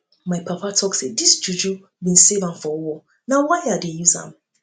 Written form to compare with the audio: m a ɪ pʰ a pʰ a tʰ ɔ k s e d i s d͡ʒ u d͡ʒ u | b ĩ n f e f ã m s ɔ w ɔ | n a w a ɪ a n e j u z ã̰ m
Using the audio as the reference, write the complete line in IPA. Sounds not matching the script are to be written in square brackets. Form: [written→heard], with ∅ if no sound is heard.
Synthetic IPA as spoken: m a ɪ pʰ a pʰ a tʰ ɔ k s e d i s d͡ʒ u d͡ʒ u | b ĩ n [f→s] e [f→v] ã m [s→f] ɔ w ɔ | n a w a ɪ a [n→d] e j u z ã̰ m